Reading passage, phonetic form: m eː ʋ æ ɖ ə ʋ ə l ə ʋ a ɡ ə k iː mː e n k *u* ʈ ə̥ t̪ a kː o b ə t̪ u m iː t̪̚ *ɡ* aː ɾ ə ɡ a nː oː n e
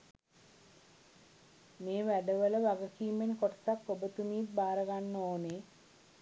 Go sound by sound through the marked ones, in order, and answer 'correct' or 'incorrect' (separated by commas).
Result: incorrect, incorrect